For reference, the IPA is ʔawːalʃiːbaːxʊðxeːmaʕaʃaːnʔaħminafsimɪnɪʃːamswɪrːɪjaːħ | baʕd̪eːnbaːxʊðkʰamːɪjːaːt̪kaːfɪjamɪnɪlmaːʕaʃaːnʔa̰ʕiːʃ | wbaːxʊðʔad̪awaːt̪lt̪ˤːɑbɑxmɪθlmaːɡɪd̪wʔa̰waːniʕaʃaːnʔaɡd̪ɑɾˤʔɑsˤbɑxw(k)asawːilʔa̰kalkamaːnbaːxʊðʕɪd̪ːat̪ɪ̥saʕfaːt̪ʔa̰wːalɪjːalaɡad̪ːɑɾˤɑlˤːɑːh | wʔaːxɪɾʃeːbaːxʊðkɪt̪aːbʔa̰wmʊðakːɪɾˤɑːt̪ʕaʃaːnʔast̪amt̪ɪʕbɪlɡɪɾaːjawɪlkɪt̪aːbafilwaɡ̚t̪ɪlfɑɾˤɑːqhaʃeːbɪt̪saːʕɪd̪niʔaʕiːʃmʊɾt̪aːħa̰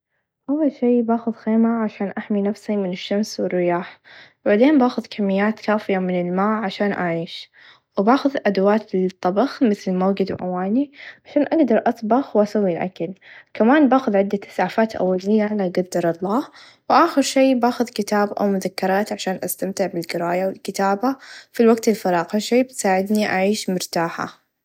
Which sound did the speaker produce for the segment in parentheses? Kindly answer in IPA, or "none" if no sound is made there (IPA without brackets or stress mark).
ʔ